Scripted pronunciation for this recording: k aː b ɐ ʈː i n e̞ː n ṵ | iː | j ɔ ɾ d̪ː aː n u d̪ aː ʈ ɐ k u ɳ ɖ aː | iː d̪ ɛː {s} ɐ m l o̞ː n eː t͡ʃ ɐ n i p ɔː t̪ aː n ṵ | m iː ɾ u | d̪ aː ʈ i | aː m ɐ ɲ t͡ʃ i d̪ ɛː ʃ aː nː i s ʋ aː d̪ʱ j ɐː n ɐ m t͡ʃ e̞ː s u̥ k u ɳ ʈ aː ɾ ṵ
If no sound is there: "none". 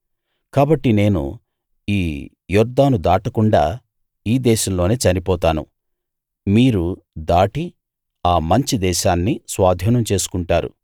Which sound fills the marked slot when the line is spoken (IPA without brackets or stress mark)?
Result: ʃ